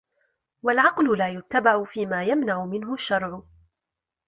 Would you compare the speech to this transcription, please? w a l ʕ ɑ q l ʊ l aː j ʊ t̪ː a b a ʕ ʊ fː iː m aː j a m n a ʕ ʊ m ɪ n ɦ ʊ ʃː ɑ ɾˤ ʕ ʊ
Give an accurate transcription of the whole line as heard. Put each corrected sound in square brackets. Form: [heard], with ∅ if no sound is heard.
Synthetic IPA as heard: w a l ʕ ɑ q l ʊ l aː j ʊ t̪ː a b a ʕ ʊ [f] iː m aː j a m n a ʕ ʊ m ɪ n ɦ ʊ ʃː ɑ ɾˤ ʕ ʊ